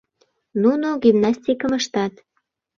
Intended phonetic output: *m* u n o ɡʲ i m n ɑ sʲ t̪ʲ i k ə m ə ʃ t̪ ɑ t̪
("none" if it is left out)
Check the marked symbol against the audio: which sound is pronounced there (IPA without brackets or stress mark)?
n